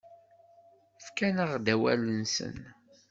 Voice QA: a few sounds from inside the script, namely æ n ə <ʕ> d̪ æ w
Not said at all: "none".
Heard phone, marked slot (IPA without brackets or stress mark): ʁ